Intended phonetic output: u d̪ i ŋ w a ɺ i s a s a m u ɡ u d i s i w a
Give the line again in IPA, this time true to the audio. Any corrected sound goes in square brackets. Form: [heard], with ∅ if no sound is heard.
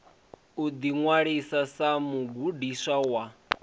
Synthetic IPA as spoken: u d̪ i ŋ w a ɺ i s a s a m u ɡ u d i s [a] w a

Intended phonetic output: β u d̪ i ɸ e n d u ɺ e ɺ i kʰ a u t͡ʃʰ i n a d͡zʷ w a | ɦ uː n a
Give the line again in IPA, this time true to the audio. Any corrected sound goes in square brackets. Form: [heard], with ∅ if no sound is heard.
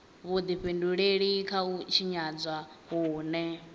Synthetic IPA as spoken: β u d̪ i ɸ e n d u ɺ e ɺ i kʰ a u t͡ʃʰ i [ɲ] a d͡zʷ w a | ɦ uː n [ɛ]

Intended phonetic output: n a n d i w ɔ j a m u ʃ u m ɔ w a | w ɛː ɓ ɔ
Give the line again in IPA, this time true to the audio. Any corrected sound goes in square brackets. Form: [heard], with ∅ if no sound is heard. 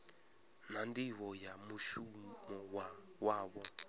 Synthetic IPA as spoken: n a n d i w ɔ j a m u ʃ u m ɔ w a | w [aː] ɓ ɔ

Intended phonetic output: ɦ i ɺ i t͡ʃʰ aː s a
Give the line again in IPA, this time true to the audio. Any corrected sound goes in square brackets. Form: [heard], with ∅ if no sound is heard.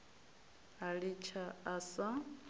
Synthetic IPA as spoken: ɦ [a] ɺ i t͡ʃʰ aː s a

